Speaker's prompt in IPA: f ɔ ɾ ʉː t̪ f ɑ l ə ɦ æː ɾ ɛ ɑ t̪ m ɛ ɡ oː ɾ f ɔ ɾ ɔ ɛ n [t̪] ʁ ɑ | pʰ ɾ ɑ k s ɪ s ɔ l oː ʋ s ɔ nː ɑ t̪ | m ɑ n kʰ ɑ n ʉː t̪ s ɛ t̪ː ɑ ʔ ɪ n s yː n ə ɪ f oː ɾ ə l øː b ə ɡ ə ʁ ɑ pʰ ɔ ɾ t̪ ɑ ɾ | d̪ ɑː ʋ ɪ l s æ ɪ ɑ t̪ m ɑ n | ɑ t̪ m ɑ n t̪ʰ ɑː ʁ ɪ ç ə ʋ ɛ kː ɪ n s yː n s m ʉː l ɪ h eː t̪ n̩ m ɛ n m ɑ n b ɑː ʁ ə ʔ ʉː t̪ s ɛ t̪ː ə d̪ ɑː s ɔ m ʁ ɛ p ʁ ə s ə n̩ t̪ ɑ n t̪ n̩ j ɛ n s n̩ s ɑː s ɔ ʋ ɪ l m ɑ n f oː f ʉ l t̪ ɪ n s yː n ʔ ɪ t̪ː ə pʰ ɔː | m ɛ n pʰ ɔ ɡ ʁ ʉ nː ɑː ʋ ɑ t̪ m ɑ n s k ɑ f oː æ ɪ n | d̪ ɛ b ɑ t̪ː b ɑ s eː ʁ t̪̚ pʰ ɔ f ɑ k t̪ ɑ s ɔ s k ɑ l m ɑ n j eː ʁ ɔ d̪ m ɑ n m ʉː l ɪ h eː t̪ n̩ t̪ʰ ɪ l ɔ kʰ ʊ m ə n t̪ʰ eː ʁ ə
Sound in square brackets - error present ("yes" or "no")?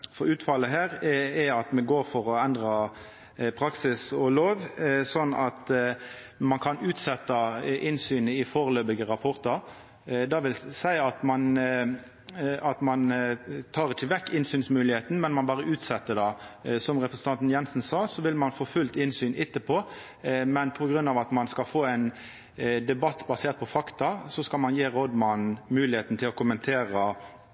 yes